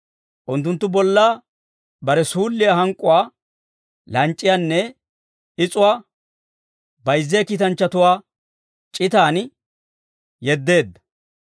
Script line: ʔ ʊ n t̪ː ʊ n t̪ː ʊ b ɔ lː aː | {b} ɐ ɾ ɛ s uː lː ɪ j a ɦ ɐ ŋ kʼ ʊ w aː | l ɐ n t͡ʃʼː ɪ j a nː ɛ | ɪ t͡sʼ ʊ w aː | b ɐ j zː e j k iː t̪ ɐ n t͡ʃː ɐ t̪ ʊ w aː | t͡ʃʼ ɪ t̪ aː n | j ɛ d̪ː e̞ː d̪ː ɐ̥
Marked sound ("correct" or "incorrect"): correct